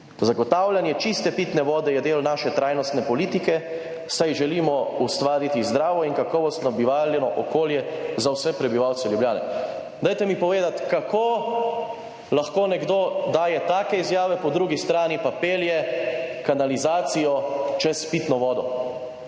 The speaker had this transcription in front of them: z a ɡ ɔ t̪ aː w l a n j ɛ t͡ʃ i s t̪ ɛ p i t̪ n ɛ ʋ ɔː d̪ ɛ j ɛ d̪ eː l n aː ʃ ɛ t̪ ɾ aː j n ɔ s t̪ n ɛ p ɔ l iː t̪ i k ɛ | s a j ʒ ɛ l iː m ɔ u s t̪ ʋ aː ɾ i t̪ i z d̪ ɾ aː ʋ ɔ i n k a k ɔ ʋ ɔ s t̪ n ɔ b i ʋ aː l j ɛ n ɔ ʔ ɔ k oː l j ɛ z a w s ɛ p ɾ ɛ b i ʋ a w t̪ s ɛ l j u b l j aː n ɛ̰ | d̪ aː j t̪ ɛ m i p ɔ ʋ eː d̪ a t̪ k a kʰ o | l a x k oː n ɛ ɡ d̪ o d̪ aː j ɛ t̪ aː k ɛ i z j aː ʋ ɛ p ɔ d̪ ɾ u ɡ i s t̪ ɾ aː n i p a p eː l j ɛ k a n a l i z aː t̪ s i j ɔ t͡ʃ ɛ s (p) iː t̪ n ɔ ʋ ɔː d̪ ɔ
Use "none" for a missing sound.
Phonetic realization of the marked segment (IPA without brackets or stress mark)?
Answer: p